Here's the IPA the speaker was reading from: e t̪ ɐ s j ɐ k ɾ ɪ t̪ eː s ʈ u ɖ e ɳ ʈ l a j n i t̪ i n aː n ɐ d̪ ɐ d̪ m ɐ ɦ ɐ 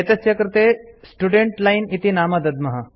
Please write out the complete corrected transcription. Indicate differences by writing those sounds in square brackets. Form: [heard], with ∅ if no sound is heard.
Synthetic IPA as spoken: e t̪ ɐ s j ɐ k ɾ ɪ t̪ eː s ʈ u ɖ e ɳ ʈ l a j n i t̪ i n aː [m] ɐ d̪ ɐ d̪ m ɐ ɦ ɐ